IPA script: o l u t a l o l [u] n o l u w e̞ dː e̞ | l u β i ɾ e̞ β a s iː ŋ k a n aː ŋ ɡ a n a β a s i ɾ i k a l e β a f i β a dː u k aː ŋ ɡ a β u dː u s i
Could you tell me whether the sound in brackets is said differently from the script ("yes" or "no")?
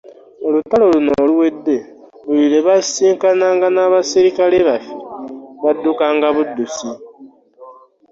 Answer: no